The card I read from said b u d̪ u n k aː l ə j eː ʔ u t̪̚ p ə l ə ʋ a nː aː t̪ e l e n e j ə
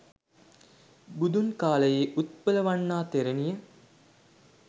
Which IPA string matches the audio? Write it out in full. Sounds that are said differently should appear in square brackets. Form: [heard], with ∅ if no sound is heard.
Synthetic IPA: b u d̪ u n k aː l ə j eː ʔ u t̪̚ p ə l ə ʋ a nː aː t̪ e [ɾ] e n [i] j ə

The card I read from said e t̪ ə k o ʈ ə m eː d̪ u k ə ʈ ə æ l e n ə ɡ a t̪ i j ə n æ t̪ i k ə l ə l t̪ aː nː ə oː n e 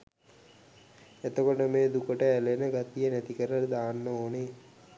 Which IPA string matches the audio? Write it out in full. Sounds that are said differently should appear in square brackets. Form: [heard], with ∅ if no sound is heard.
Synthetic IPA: e t̪ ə k o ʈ ə m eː d̪ u k ə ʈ ə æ l e n ə ɡ a t̪ i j ə n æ t̪ i k ə [ɾ] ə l [d̪] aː nː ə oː n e

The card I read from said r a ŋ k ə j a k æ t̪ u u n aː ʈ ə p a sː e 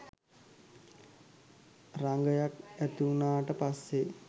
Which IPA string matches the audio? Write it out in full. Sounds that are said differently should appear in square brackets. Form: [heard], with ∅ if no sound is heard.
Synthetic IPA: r a ŋ [ɡ] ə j a k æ t̪ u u n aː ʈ ə p a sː e

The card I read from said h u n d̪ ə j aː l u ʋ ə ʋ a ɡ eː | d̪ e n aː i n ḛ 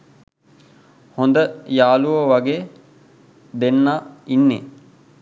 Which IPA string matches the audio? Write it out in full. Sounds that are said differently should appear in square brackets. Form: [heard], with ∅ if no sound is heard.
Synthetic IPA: h [o] n d̪ ə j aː l u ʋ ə ʋ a ɡ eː | d̪ e [nː] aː i [nː] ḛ

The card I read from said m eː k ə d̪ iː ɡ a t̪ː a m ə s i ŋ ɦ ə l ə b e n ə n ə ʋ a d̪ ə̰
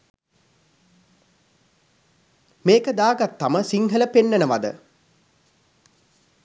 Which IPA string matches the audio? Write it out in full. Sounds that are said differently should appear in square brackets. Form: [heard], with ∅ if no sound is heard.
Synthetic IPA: m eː k ə d̪ [aː] ɡ a t̪ː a m ə s i ŋ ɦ ə l ə [p] e [nː] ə n ə ʋ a d̪ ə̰

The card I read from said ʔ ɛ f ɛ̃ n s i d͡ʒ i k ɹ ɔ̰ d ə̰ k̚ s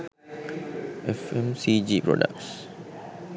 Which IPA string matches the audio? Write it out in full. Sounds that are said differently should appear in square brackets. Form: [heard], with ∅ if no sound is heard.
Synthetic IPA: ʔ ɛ f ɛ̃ [m] s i d͡ʒ i [p] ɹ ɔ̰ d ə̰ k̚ s

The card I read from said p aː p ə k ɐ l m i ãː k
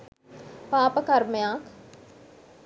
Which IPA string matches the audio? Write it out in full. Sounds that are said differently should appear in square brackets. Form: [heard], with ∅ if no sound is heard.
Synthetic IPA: p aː p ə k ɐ [ɾ] m [j] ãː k

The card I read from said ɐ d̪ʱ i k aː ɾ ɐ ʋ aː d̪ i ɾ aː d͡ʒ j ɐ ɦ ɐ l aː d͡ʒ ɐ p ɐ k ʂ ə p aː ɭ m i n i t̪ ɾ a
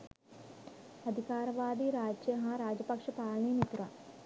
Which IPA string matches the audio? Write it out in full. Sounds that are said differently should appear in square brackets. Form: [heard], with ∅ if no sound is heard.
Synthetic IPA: ɐ d̪ʱ i k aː ɾ ɐ ʋ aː d̪ i ɾ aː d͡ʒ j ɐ ɦ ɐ [ɾ] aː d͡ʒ ɐ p ɐ k ʂ [ɐ] p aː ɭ [ɳ] i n i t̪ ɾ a

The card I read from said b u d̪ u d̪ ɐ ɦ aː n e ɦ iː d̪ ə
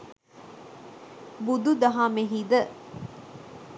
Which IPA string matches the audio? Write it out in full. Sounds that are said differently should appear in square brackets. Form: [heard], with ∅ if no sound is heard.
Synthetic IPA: b u d̪ u d̪ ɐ ɦ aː [m] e ɦ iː d̪ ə

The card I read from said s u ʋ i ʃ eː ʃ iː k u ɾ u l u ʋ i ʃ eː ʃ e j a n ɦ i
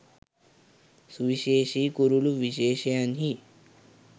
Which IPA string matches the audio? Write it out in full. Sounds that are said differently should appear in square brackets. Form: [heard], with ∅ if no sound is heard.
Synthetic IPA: s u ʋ i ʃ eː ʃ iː k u ɾ u l u ʋ i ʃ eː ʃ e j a n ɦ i

